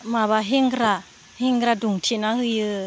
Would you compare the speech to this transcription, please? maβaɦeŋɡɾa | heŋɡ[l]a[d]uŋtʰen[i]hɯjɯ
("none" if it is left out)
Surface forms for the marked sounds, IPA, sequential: ɾ, d, a

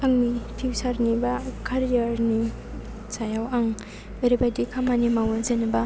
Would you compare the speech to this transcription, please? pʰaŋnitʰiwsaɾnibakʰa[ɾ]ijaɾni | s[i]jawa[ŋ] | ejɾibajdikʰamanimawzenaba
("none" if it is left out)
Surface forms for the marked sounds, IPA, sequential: ɾ, a, ŋ

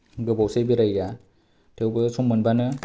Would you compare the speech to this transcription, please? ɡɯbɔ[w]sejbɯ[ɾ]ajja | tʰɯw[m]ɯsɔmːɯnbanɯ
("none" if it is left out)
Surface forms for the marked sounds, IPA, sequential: w, ɾ, b

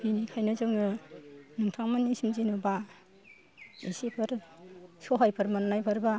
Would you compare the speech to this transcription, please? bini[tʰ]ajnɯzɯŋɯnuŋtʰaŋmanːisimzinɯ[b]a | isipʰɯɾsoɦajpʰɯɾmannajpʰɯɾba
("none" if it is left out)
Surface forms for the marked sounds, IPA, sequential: kʰ, b

